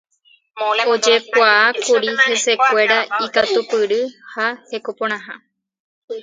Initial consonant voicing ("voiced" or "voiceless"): voiced